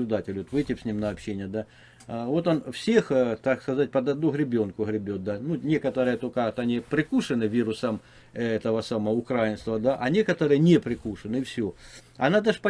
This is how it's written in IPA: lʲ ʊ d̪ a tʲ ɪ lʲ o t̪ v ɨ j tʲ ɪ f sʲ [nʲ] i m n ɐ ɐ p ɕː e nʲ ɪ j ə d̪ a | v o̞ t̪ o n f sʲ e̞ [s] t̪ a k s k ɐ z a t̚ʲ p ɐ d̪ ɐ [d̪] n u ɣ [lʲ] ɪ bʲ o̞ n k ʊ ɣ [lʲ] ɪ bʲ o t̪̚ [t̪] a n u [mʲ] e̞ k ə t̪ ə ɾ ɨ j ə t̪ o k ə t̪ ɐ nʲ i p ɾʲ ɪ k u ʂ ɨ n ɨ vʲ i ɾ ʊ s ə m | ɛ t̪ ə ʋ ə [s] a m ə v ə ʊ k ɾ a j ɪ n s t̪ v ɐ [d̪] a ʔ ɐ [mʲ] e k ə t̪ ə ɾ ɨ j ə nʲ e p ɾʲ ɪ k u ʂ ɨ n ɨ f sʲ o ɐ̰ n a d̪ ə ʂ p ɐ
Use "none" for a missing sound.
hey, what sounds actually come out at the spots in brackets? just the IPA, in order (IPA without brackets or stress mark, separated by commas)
nʲ, x, d̪, ɾʲ, ɾʲ, d̪, nʲ, s, d̪, nʲ